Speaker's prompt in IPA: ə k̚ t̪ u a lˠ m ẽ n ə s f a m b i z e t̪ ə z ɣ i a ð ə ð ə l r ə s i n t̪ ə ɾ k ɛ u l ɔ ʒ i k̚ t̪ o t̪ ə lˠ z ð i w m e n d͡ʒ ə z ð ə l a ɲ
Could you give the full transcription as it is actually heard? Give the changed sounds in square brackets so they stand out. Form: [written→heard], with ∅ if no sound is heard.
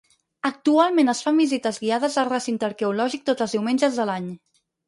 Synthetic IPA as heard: ə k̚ t̪ u a lˠ m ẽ n ə s f a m b i z [e→i] t̪ ə z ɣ i a ð ə [ð→z] ə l r ə s i n t̪ ə ɾ k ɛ u l ɔ ʒ i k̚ t̪ o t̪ ə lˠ z ð i w m e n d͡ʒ ə z ð ə l a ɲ

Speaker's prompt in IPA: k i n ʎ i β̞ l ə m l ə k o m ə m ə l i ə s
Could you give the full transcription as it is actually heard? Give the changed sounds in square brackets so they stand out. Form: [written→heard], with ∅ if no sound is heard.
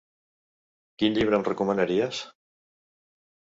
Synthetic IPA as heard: k i n ʎ i β̞ [l→ɾ] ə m [l→r] ə k [o→u] m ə [m→n] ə [l→ɾ] i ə s

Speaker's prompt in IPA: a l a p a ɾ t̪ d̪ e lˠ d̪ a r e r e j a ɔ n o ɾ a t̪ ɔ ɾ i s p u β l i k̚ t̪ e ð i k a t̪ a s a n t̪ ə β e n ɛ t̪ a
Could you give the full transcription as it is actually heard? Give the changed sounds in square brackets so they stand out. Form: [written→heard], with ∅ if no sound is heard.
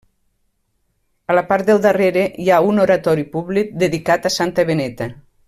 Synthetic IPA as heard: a l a p a ɾ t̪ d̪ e lˠ d̪ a r e [r→ɾ] e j a [ɔ→u] n o ɾ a t̪ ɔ ɾ i [s→∅] p u β l i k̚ [t̪→d̪] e ð i k a t̪ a s a n t̪ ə β e n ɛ t̪ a

